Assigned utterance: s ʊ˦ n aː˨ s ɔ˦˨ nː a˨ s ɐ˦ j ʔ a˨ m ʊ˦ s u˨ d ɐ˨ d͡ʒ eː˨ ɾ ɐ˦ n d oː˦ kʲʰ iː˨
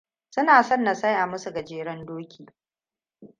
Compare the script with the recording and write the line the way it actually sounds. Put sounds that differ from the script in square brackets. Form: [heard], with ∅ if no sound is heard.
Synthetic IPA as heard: s ʊ˦ n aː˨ s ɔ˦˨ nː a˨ s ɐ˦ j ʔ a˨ m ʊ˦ s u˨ [ɡ] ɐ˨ d͡ʒ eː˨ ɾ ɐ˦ n d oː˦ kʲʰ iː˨